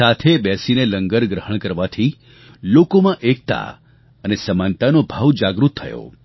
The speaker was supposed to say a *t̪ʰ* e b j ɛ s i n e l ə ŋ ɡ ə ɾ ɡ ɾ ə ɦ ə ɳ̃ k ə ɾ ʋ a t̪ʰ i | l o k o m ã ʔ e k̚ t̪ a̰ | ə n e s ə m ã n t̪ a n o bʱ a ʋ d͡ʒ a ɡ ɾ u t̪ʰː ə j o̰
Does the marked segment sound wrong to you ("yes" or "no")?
no